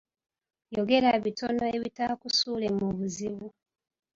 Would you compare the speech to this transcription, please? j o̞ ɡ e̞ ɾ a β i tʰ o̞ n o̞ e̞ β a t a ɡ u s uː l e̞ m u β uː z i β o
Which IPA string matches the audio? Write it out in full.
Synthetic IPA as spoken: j o̞ ɡ e̞ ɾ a β i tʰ o̞ n o̞ e̞ β i t a k u s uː l e̞ m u β u z i β u

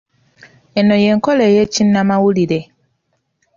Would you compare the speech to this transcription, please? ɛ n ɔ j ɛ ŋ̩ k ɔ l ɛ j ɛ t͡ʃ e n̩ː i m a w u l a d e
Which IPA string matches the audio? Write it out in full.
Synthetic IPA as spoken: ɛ n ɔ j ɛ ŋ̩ k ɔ l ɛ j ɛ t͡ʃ i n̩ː a m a w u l i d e

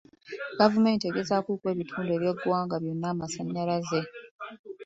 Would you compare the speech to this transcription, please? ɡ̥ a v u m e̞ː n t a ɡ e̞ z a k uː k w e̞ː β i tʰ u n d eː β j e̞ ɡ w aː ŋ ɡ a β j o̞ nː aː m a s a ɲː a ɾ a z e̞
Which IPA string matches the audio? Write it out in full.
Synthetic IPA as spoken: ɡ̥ a v u m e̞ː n t e ɡ e̞ z a k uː k w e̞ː β i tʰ uː n d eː β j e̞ ɡ w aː ŋ ɡ a β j o̞ nː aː m a s a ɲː a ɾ a z e̞

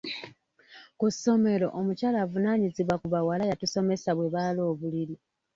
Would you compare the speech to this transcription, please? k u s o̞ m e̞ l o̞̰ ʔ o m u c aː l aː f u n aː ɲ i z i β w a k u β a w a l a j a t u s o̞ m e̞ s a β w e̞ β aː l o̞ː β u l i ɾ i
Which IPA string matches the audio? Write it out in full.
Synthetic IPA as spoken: k u s o̞ m e̞ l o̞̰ ʔ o m u c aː l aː v u n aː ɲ i z i β w a k u β a w a l a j a t u s o̞ m e̞ s a β w e̞ β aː l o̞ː β u l i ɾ i

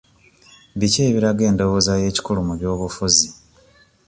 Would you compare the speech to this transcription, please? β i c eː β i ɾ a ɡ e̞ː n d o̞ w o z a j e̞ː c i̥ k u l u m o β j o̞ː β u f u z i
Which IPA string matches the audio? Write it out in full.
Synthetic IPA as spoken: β i c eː β i ɾ a ɡ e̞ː n d o̞ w o z a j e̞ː c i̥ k u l u m u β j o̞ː β u f u z i

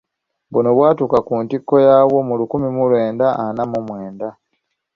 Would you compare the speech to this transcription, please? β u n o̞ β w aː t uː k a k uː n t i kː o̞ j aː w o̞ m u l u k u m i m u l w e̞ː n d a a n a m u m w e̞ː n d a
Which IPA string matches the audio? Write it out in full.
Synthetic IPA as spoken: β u n o̞ β w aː t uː k a k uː n t i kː o̞ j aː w o̞ m u l u k u m i m u l w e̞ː n d a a n a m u m w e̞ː n d a

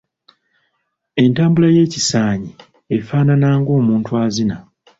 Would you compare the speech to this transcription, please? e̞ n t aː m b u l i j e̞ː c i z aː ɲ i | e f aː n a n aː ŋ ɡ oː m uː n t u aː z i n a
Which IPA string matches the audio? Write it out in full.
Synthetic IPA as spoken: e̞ n t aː m b u l a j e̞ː c i s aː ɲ i | e f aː n a n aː ŋ ɡ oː m uː n t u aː z i n a

